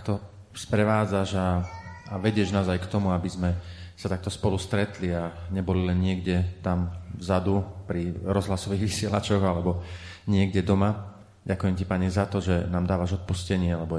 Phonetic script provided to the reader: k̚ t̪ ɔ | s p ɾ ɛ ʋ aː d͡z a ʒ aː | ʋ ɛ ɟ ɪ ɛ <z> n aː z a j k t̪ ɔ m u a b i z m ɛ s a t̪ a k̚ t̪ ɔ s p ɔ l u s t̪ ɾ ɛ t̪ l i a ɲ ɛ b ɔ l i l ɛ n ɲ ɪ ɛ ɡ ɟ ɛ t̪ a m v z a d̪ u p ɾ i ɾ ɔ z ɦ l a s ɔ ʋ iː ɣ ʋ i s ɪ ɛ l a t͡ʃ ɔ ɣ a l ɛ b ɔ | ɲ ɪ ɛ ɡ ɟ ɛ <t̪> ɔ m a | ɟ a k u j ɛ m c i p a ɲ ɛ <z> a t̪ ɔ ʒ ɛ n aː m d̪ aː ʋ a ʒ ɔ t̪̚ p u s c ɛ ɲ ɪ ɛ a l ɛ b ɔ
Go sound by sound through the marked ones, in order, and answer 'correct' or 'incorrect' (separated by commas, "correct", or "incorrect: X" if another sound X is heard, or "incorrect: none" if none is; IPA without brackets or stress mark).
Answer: incorrect: ʒ, incorrect: d̪, correct